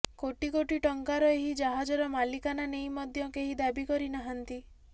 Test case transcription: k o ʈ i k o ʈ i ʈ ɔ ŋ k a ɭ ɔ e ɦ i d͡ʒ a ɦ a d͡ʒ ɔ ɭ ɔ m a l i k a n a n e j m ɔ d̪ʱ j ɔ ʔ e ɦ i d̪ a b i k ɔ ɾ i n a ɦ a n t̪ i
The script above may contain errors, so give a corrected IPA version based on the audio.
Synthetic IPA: k o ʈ i k o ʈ i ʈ ɔ ŋ k a ɾ ɔ e ɦ i d͡ʒ a ɦ a d͡ʒ ɔ ɾ ɔ m a l i k a n a n e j m ɔ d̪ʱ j ɔ k e ɦ i d̪ a b i k ɔ ɾ i n a ɦ a n t̪ i